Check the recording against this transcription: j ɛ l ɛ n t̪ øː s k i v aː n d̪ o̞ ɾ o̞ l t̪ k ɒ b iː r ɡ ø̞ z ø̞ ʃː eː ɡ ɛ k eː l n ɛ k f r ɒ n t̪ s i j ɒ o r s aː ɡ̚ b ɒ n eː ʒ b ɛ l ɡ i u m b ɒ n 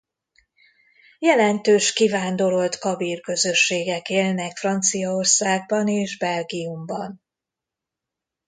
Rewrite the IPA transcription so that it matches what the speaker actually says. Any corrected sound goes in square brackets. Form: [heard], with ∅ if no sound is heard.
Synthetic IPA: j ɛ l ɛ n t̪ øː [ʃ] k i v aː n d̪ o̞ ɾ o̞ l t̪ k ɒ b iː r [k] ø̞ z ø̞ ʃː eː ɡ ɛ k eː l n ɛ k f r ɒ n t̪ s i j ɒ o r s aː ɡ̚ b ɒ n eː ʒ b ɛ l ɡ i u m b ɒ n